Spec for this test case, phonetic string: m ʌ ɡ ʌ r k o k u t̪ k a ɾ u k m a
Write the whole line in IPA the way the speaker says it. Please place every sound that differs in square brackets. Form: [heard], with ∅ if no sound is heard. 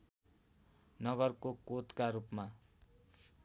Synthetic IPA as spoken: [n] ʌ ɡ ʌ r k o k [o] t̪ k a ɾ u [p] m a